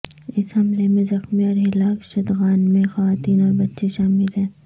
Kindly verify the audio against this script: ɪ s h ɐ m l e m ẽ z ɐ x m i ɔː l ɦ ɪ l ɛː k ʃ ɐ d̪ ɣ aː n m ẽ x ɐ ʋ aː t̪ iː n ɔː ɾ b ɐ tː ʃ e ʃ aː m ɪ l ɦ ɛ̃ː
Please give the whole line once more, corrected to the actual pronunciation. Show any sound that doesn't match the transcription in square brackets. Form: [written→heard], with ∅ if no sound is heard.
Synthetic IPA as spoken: ɪ s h ɐ m l e m ẽ z ɐ x m i ɔː [l→ɾ] ɦ ɪ l [ɛː→aː] k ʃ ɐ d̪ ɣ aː n m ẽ x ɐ ʋ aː t̪ iː n ɔː ɾ b ɐ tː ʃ e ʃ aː m ɪ l ɦ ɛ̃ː